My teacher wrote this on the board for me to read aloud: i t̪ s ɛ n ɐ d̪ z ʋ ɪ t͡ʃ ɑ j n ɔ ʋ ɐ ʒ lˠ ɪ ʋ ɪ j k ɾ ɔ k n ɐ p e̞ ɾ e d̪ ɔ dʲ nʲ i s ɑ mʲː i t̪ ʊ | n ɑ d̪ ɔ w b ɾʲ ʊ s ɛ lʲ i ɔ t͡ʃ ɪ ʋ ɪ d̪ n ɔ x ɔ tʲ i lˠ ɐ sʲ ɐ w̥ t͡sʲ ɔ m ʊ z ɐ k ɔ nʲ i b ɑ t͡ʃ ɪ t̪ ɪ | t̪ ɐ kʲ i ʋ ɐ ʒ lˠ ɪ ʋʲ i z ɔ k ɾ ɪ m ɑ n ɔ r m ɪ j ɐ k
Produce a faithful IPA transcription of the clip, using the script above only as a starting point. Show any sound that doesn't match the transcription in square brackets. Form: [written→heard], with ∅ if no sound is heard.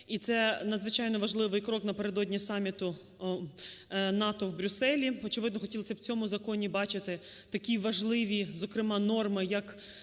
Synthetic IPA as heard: i t̪ s ɛ n ɐ d̪ z ʋ ɪ t͡ʃ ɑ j n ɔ ʋ ɐ ʒ lˠ ɪ ʋ ɪ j k ɾ ɔ k n ɐ p e̞ ɾ e d̪ ɔ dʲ nʲ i s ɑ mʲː i t̪ ʊ | n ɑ [d̪→t̪] ɔ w b ɾʲ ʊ s ɛ lʲ i ɔ t͡ʃ ɪ ʋ ɪ d̪ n ɔ x ɔ tʲ i lˠ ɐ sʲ ɐ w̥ t͡sʲ ɔ m ʊ z ɐ k ɔ nʲ i b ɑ t͡ʃ ɪ t̪ ɪ | t̪ ɐ kʲ i ʋ ɐ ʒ lˠ ɪ ʋʲ i z ɔ k ɾ ɪ m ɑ n ɔ r m ɪ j ɐ k

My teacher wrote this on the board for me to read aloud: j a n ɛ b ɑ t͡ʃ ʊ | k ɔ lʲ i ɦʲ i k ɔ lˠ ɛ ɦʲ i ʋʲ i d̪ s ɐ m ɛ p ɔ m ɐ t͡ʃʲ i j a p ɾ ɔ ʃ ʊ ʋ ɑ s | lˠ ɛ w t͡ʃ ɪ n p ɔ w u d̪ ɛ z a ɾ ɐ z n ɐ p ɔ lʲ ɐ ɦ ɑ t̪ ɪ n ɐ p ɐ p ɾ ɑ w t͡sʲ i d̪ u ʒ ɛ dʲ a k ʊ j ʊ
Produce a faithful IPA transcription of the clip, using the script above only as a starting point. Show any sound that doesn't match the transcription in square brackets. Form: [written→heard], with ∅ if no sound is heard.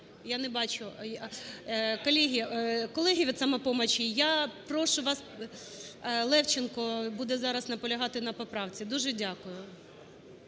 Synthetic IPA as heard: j a n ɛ b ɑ t͡ʃ ʊ | k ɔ lʲ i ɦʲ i k ɔ lˠ ɛ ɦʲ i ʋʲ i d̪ s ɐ m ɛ p ɔ m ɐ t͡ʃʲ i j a p ɾ ɔ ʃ ʊ ʋ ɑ s | lˠ ɛ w t͡ʃ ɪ n [p→k] ɔ [w→b] u d̪ ɛ z [a→ɑ] ɾ ɐ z n ɐ p ɔ lʲ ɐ ɦ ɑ t̪ ɪ n ɐ p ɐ p ɾ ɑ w t͡sʲ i d̪ u ʒ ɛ dʲ a k ʊ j ʊ

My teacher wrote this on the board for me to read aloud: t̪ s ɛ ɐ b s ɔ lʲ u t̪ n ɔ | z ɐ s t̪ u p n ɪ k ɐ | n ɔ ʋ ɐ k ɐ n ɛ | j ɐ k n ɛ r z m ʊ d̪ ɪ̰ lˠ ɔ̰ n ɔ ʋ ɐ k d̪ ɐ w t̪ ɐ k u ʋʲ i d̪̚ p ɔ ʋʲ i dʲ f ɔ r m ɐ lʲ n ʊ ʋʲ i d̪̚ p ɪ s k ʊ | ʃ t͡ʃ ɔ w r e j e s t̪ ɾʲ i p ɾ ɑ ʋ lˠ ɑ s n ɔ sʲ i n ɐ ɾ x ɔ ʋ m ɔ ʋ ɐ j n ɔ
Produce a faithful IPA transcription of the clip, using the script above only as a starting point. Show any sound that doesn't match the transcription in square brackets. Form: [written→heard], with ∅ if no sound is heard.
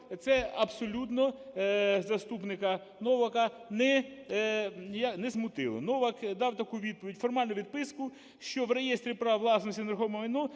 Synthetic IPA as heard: t̪ s ɛ ɐ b s ɔ lʲ u t̪ n ɔ | z ɐ s t̪ u p n ɪ k ɐ | n ɔ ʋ ɐ k ɐ n ɛ | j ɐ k n ɛ [r→∅] z m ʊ [d̪→t̪] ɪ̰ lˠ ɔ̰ n ɔ ʋ ɐ k d̪ [ɐ→ɑ] w t̪ ɐ k u ʋʲ i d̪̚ p ɔ ʋʲ i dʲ f ɔ r m [ɐ→ɑ] lʲ n ʊ ʋʲ i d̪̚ p ɪ s k ʊ | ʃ t͡ʃ ɔ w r e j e s t̪ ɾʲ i p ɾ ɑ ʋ lˠ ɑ s n ɔ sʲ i n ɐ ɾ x ɔ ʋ m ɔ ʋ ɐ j n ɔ

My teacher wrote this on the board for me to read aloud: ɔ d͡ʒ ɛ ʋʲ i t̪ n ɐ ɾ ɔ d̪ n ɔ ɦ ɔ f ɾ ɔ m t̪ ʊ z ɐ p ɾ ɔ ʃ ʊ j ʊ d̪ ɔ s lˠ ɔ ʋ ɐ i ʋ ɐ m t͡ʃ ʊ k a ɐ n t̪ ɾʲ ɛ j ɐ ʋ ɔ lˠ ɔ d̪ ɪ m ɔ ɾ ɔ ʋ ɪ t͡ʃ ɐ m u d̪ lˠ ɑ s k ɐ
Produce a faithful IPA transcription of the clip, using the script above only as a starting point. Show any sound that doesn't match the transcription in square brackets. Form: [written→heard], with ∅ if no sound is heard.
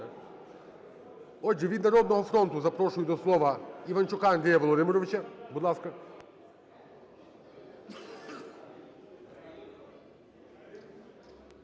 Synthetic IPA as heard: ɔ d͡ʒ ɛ ʋʲ i [t̪→d̪] n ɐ ɾ ɔ d̪ n ɔ ɦ ɔ f ɾ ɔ [m→n] t̪ ʊ z ɐ p ɾ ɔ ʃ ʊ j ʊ d̪ ɔ s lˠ ɔ ʋ ɐ i ʋ ɐ [m→n] t͡ʃ ʊ k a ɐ n [t̪→d̪] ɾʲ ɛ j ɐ ʋ ɔ lˠ ɔ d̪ ɪ m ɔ ɾ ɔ ʋ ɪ t͡ʃ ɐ [m→b] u d̪ lˠ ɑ s k ɐ

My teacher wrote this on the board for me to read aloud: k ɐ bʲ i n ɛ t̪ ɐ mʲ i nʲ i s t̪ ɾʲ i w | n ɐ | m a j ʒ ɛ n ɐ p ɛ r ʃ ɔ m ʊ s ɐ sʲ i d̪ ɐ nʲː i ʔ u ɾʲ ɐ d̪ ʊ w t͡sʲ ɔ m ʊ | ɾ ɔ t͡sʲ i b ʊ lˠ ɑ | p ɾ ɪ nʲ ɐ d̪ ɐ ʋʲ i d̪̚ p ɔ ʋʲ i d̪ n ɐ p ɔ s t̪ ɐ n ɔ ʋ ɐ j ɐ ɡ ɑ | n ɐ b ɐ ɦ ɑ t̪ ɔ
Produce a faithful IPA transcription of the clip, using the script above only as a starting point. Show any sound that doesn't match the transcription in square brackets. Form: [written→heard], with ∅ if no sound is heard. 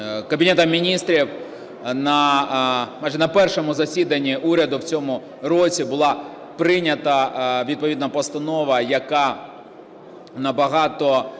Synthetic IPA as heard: k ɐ bʲ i n ɛ t̪ ɐ mʲ i nʲ i s t̪ ɾʲ i w | n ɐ | m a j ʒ ɛ n ɐ p ɛ r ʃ ɔ m ʊ [s→z] ɐ sʲ i d̪ ɐ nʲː i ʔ u ɾʲ ɐ d̪ ʊ w t͡sʲ ɔ m ʊ | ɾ ɔ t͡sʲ i b ʊ lˠ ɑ | p ɾ ɪ nʲ ɐ [d̪→t̪] ɐ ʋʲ i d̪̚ p ɔ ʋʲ i d̪ n ɐ p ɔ s t̪ ɐ n ɔ ʋ ɐ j ɐ [ɡ→k] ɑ | n ɐ b ɐ ɦ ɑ t̪ ɔ

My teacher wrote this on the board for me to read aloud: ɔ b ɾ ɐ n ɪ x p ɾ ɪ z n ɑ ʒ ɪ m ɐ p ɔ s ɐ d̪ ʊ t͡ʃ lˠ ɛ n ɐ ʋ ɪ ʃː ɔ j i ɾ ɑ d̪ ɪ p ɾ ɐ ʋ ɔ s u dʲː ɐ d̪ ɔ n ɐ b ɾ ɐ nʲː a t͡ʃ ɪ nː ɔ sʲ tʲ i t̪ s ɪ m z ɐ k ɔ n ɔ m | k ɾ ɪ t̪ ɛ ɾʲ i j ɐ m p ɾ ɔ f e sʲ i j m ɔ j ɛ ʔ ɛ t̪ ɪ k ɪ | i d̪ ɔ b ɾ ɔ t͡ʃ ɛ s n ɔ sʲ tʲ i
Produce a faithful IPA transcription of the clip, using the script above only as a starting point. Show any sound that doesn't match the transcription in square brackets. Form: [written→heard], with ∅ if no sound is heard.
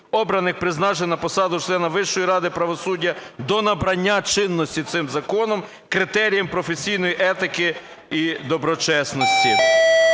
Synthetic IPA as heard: ɔ b ɾ ɐ n ɪ x p ɾ ɪ z n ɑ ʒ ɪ [m→n] ɐ p ɔ s [ɐ→ɑ] d̪ ʊ t͡ʃ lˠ ɛ n ɐ ʋ ɪ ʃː ɔ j i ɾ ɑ d̪ ɪ p ɾ ɐ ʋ ɔ s u dʲː ɐ d̪ ɔ n ɐ b ɾ ɐ nʲː a t͡ʃ ɪ nː ɔ sʲ tʲ i t̪ s ɪ m z ɐ k ɔ n ɔ m | k ɾ ɪ t̪ ɛ ɾʲ i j ɐ m p ɾ ɔ f e sʲ i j [m→n] ɔ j [ɛ→i] ʔ ɛ t̪ ɪ k ɪ | i d̪ ɔ b ɾ ɔ t͡ʃ ɛ s n ɔ sʲ tʲ i

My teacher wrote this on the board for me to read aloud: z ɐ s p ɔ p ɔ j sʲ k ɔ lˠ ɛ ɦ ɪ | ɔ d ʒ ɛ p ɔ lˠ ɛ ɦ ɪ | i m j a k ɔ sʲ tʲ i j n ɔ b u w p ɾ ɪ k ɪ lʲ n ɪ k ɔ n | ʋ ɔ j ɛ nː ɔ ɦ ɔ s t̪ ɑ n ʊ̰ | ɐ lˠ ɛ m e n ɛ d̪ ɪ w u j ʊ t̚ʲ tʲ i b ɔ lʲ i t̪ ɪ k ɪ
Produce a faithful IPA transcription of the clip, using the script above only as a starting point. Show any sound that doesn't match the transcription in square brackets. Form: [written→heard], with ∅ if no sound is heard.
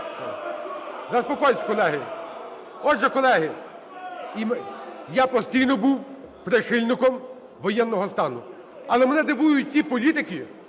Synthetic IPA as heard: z ɐ s p ɔ [p→k] ɔ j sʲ k ɔ lˠ ɛ ɦ ɪ | ɔ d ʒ ɛ [p→k] ɔ lˠ ɛ ɦ ɪ | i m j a [k→p] ɔ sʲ tʲ i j n ɔ b u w p ɾ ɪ [k→x] ɪ lʲ n ɪ k ɔ [n→m] | ʋ ɔ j ɛ nː ɔ ɦ ɔ s t̪ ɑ n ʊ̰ | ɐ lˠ ɛ m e n ɛ d̪ ɪ [w→ʋ] u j ʊ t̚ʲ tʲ i [b→p] ɔ lʲ i t̪ ɪ k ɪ

